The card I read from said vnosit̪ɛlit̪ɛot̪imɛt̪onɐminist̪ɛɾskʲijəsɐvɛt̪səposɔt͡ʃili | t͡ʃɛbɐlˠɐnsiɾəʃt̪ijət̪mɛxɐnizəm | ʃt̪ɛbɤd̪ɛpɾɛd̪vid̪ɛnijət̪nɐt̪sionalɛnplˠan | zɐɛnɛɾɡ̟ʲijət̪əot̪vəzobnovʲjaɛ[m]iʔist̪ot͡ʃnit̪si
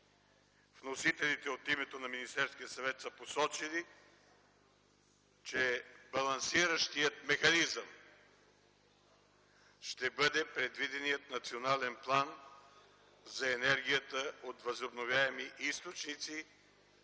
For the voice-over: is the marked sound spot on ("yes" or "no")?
yes